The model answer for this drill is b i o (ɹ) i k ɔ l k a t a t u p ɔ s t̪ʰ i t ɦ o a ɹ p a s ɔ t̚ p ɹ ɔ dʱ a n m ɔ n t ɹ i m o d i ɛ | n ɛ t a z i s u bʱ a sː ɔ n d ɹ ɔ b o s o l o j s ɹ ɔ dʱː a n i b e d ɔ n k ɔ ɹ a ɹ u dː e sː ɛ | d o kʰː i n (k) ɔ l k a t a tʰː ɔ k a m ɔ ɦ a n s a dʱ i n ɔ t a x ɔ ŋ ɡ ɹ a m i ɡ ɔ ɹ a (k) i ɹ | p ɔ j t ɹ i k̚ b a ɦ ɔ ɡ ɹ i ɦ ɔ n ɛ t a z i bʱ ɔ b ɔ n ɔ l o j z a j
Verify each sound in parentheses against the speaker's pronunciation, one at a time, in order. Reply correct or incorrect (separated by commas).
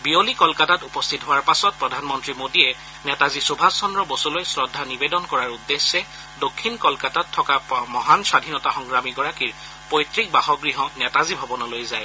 incorrect, correct, correct